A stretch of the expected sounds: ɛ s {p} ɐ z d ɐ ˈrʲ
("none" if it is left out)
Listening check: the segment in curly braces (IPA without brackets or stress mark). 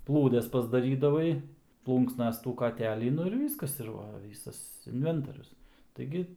p